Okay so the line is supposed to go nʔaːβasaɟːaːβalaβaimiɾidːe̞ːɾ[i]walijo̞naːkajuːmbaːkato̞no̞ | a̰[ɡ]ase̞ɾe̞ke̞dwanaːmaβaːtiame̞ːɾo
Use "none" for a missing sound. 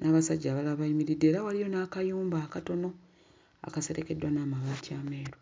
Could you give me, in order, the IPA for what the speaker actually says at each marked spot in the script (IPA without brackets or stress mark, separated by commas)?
a, k